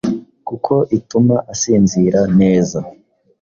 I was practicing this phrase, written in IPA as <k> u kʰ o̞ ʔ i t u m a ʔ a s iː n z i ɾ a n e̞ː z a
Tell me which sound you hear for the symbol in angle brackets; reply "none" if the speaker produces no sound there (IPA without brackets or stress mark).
k